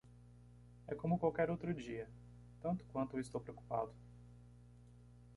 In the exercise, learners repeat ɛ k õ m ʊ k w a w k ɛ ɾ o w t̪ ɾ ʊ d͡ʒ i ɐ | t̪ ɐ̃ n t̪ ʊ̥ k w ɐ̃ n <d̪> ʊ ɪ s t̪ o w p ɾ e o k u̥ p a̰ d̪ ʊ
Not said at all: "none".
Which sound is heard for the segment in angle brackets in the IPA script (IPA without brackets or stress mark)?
t̪